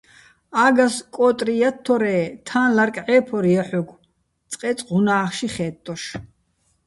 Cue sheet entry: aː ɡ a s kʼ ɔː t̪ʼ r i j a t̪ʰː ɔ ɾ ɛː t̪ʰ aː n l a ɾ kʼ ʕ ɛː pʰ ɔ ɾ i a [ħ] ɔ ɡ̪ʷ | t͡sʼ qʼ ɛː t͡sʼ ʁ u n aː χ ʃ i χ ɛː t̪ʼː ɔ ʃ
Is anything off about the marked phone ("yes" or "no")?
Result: no